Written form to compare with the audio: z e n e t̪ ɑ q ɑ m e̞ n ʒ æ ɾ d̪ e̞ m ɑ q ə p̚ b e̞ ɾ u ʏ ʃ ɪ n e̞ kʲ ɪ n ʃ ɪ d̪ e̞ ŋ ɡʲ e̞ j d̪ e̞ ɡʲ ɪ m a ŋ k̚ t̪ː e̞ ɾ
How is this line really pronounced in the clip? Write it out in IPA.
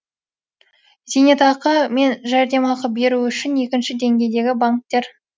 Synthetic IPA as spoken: z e n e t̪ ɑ q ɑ m e̞ n ʒ æ ɾ d̪ e̞ m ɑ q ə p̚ b e̞ ɾ u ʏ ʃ ɪ n e̞ kʲ ɪ n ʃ ɪ d̪ e̞ ŋ ɡʲ e̞ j d̪ e̞ ɡʲ ɪ b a ŋ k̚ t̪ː e̞ ɾ